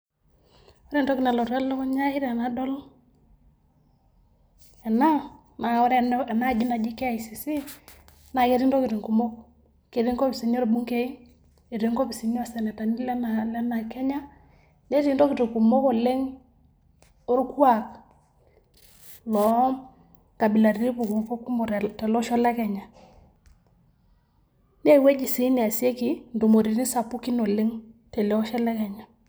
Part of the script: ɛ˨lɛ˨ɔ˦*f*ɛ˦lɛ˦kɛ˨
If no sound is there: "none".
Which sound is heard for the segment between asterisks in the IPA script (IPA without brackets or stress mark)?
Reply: ʃ